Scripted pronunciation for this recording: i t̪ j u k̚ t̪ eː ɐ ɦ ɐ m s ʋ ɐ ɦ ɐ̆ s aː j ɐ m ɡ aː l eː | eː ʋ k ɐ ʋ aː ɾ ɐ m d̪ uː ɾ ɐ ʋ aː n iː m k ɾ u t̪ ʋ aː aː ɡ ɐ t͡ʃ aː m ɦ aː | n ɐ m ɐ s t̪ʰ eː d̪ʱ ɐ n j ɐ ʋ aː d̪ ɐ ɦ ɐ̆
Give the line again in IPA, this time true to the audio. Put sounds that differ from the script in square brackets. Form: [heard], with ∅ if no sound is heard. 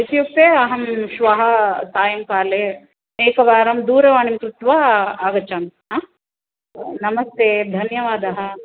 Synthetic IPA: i t̪ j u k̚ t̪ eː ɐ ɦ ɐ m [ʃ] ʋ ɐ ɦ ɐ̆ s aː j ɐ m [k] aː l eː | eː [∅] k ɐ ʋ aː ɾ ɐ m d̪ uː ɾ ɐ ʋ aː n [i] m k ɾ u t̪ ʋ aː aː ɡ ɐ t͡ʃ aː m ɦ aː | n ɐ m ɐ s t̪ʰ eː d̪ʱ ɐ n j ɐ ʋ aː d̪ ɐ ɦ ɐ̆

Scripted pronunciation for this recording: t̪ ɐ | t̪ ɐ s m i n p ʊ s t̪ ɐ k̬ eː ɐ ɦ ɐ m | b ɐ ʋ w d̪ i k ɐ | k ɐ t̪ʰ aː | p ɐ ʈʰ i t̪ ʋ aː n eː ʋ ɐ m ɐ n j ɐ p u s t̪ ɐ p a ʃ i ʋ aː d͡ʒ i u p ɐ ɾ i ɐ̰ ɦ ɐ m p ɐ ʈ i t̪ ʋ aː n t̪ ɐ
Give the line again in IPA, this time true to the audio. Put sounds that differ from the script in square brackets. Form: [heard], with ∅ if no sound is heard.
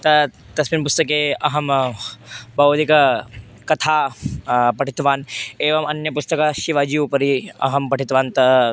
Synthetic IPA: t̪ ɐ | t̪ ɐ s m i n p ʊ s t̪ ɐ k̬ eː ɐ ɦ ɐ m | b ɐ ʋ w d̪ i k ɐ | k ɐ t̪ʰ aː | p ɐ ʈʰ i t̪ ʋ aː n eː ʋ ɐ m ɐ n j ɐ p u s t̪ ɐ [k] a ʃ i ʋ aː d͡ʒ i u p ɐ ɾ i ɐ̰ ɦ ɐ m p ɐ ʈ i t̪ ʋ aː n t̪ ɐ

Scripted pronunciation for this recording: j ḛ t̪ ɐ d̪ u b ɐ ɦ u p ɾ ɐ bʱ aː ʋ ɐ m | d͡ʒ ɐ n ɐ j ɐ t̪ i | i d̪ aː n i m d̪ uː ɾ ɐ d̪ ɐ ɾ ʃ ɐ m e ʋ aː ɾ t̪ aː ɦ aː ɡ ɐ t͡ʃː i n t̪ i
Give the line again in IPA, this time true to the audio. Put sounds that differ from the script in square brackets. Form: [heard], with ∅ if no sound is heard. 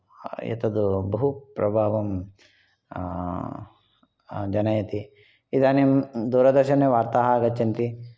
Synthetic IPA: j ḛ t̪ ɐ d̪ u b ɐ ɦ u p ɾ ɐ bʱ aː ʋ ɐ m | d͡ʒ ɐ n ɐ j ɐ t̪ i | i d̪ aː n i m d̪ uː ɾ ɐ d̪ ɐ ɾ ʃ ɐ [n] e ʋ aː ɾ t̪ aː ɦ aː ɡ ɐ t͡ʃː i n t̪ i

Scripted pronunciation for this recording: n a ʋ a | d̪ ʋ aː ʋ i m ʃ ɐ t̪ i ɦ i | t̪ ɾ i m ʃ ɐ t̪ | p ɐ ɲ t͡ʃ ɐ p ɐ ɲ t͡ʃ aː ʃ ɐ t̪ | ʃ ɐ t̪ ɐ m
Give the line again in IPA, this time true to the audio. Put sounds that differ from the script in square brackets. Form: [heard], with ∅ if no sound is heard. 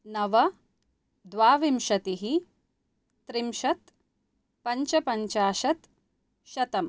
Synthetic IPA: n [ɐ] ʋ [ɐ] | d̪ ʋ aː ʋ i m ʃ ɐ t̪ i ɦ i | t̪ ɾ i m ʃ ɐ t̪ | p ɐ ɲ t͡ʃ ɐ p ɐ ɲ t͡ʃ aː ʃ ɐ t̪ | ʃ ɐ t̪ ɐ m

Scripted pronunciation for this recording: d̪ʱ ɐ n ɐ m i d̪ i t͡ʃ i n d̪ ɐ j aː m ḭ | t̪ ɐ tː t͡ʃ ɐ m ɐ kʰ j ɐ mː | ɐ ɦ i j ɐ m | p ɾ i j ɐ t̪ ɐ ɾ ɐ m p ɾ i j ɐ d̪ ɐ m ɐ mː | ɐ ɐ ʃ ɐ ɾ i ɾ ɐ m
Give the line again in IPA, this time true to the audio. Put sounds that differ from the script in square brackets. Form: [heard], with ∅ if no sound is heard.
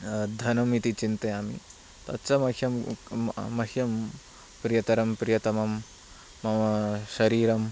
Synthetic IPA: d̪ʱ ɐ n ɐ m i [t̪] i t͡ʃ i n [t̪] ɐ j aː m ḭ | t̪ ɐ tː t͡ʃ ɐ m ɐ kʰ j ɐ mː | ɐ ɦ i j ɐ m | p ɾ i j ɐ t̪ ɐ ɾ ɐ m p ɾ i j ɐ [t̪] ɐ m ɐ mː | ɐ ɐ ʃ ɐ ɾ [iː] ɾ ɐ m

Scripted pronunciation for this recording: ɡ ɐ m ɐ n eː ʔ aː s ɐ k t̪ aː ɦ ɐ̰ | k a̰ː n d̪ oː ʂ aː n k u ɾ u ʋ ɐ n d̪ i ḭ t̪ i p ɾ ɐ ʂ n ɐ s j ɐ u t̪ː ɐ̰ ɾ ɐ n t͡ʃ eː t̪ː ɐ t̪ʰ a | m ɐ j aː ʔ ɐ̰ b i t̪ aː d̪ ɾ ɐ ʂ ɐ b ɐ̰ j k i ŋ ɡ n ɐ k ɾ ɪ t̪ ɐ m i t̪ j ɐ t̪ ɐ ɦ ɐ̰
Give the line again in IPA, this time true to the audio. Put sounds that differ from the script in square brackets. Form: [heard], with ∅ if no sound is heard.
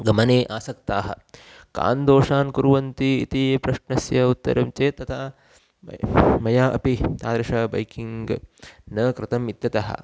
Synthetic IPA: ɡ ɐ m ɐ n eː ʔ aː s ɐ k t̪ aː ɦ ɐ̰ | k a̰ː n d̪ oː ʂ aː n k u ɾ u ʋ ɐ n [t̪] i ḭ t̪ i p ɾ ɐ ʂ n ɐ s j ɐ u t̪ː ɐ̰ ɾ ɐ [m] t͡ʃ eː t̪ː ɐ t̪ʰ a | m ɐ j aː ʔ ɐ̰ [p] i t̪ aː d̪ ɾ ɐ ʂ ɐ b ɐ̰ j k i ŋ ɡ n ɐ k ɾ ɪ t̪ ɐ m i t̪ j ɐ t̪ ɐ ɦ ɐ̰

